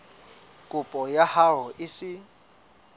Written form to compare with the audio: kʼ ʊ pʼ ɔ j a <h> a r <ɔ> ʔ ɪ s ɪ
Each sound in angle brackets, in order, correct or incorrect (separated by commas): correct, correct